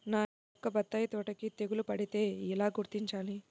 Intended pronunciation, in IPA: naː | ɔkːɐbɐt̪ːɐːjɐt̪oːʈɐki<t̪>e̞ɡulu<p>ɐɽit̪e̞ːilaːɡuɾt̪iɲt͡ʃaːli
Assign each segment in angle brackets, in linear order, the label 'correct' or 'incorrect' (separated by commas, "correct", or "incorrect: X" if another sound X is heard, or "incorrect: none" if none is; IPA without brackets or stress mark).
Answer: correct, correct